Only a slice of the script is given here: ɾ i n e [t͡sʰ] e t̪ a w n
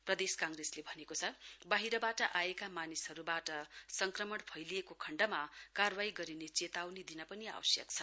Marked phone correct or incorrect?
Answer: incorrect: t͡s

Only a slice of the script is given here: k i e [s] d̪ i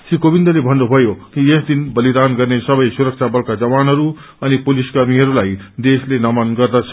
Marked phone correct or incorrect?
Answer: correct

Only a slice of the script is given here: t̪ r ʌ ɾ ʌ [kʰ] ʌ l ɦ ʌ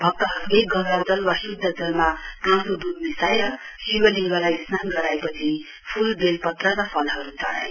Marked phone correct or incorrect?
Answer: incorrect: pʰ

